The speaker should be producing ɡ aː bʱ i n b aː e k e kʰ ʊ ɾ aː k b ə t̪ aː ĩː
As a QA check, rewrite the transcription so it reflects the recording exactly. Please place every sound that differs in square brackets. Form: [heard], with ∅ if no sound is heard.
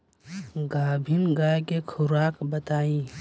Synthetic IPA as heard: ɡ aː bʱ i n [ɡ] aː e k e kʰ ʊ ɾ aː k b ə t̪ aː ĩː